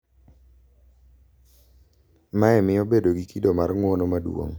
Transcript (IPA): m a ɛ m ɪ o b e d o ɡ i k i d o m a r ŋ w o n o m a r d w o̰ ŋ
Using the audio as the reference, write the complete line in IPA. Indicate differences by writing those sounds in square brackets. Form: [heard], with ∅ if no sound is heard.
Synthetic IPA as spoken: m a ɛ m ɪ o b e d o ɡ i k i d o m a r ŋ w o n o m a [∅] d w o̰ ŋ